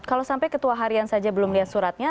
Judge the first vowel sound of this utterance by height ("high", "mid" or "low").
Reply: low